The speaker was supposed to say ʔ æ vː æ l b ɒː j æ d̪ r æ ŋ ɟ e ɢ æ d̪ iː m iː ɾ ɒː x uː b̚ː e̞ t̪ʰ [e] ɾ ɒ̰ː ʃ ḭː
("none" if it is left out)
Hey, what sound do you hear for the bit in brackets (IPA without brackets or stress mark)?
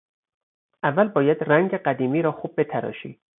æ